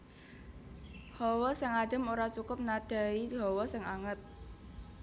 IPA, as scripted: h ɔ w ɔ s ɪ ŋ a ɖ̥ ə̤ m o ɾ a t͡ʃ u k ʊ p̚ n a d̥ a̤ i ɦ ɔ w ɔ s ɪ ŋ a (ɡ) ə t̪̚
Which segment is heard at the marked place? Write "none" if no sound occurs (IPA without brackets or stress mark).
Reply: ŋ